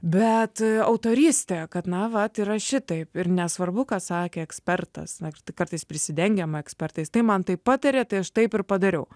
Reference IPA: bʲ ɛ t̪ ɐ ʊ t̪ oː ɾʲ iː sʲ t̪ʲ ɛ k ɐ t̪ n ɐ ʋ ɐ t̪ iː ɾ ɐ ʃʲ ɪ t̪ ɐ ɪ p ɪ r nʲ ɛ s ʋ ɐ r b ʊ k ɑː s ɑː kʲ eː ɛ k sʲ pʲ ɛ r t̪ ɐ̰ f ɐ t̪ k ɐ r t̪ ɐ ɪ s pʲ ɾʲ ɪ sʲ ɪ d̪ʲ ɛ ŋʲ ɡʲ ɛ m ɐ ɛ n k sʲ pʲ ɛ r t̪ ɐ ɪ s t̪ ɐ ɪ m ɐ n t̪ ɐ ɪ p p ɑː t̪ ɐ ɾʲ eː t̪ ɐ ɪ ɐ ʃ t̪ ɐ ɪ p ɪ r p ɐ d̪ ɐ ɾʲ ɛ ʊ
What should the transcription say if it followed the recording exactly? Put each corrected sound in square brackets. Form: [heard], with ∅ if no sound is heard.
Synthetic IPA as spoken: bʲ ɛ t̪ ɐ ʊ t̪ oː ɾʲ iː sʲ t̪ʲ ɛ k ɐ t̪ n ɐ ʋ ɐ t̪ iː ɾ ɐ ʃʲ ɪ t̪ ɐ ɪ p ɪ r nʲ ɛ s ʋ ɐ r b ʊ k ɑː s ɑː kʲ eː ɛ k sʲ pʲ ɛ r t̪ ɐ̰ [s] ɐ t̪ k ɐ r t̪ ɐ ɪ s pʲ ɾʲ ɪ sʲ ɪ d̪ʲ ɛ ŋʲ ɡʲ ɛ m ɐ ɛ [∅] k sʲ pʲ ɛ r t̪ ɐ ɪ s t̪ ɐ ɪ m ɐ n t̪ ɐ ɪ p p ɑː t̪ ɐ ɾʲ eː t̪ ɐ ɪ ɐ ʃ t̪ ɐ ɪ p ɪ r p ɐ d̪ ɐ ɾʲ ɛ ʊ